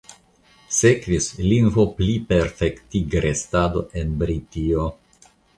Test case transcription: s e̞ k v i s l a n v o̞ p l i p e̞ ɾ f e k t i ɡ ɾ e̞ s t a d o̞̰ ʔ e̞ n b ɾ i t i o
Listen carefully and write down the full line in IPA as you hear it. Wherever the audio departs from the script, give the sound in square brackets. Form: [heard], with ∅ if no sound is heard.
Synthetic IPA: s e̞ k v i s l [i] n v o̞ p l i p e̞ ɾ f e k t i ɡ ɾ e̞ s t a d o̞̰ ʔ e̞ n b ɾ i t i o

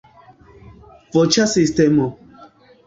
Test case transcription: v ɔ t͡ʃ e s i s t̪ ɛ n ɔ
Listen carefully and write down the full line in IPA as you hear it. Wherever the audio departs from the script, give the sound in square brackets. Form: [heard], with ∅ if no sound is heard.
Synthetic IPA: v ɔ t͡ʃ [a] s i s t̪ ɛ [m] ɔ

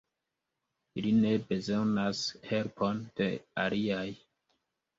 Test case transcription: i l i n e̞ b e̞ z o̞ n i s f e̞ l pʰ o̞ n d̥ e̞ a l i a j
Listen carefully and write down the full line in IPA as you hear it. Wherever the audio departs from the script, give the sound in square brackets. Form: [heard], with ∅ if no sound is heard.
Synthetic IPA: i l i n e̞ b e̞ z o̞ n [a] s [h] e̞ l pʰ o̞ n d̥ e̞ a l i a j

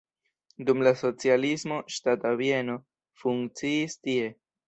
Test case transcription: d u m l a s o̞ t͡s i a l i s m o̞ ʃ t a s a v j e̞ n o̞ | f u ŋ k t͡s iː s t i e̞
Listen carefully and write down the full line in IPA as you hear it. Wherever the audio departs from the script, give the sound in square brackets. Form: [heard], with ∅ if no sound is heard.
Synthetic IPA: d u m l a s o̞ t͡s i a l i s m o̞ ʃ t a [t] a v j e̞ n o̞ | f u ŋ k t͡s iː s t i e̞

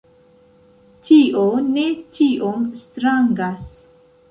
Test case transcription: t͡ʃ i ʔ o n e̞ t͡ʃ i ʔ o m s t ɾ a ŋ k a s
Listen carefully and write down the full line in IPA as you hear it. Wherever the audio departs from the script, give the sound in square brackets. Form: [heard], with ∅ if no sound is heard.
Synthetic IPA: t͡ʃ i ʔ o n e̞ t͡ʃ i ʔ o m s t ɾ a ŋ [ɡ] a s

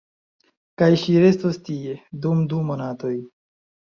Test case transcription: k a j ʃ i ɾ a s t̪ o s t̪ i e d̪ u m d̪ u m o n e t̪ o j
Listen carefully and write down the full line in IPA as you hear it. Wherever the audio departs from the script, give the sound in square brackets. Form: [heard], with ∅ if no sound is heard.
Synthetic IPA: k a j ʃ i ɾ [e] s t̪ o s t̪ i e d̪ u m d̪ u m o n [a] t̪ o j

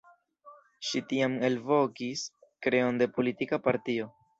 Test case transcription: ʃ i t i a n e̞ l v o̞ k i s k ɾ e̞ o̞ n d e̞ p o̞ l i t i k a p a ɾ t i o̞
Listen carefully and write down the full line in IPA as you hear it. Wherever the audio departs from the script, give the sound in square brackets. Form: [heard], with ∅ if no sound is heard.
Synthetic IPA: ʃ i t i a [m] e̞ l v o̞ k i s k ɾ e̞ o̞ n d e̞ p o̞ l i t i k a p a ɾ t i o̞

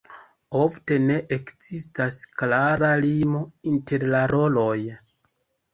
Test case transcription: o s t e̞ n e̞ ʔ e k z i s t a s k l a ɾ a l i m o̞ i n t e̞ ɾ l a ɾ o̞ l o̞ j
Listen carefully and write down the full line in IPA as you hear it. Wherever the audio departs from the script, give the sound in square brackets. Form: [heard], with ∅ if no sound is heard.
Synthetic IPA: o [f] t e̞ n e̞ ʔ e k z i s t a s k l a ɾ a l i m o̞ i n t e̞ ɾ l a ɾ o̞ l o̞ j

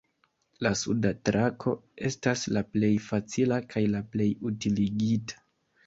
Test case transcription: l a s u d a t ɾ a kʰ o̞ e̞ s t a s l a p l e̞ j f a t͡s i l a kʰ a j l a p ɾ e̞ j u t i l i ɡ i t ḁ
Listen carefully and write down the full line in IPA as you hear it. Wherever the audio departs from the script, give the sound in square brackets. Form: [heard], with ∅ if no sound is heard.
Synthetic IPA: l a s u d a t ɾ a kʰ o̞ e̞ s t a s l a p l e̞ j f a t͡s i l a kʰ a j l a p [l] e̞ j u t i l i ɡ i t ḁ

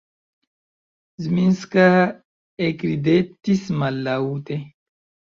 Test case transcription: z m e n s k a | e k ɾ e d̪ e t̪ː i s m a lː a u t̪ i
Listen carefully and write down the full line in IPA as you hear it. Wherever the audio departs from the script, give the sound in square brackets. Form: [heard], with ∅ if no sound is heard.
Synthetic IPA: z m [i] n s k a | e k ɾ [i] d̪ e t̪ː i s m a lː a u t̪ [e]

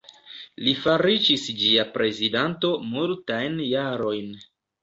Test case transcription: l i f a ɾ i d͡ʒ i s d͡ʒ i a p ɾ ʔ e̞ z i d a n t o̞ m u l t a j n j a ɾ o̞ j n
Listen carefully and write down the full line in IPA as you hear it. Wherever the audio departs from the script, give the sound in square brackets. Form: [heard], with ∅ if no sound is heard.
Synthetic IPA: l i f a ɾ i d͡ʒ i s d͡ʒ i a p ɾ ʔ e̞ z i d a n t o̞ m u l t a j n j a ɾ o̞ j n

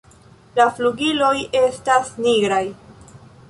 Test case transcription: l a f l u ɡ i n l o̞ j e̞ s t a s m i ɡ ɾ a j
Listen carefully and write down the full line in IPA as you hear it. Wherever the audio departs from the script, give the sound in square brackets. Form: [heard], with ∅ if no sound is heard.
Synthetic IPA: l a f l u ɡ i [∅] l o̞ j e̞ s t a s [n] i ɡ ɾ a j

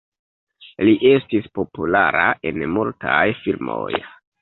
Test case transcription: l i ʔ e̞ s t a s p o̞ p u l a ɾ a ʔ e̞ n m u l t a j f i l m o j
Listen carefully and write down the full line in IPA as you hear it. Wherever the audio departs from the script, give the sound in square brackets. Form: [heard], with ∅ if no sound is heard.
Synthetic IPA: l i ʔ e̞ s t [i] s p o̞ p u l a ɾ a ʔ e̞ n m u l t a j f i l m o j

